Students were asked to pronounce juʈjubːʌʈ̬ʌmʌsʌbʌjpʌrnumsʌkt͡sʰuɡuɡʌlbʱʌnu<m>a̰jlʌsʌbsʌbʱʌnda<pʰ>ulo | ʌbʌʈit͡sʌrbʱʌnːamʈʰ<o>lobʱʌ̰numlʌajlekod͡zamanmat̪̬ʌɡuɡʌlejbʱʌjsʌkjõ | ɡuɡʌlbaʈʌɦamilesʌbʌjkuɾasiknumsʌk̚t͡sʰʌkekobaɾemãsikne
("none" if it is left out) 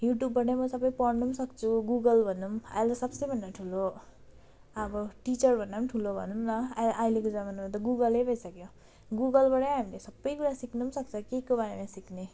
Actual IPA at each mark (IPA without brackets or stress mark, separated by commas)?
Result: m, ʈʰ, u